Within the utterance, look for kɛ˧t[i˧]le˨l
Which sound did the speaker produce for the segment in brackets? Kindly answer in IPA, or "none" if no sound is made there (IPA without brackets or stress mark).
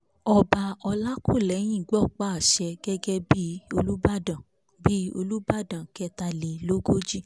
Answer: a˧